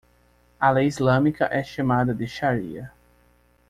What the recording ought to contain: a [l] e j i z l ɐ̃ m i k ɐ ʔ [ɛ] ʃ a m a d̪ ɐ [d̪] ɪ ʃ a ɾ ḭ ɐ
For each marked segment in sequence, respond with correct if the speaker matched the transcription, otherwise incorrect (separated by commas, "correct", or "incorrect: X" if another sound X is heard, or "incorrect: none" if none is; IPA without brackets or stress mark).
correct, correct, correct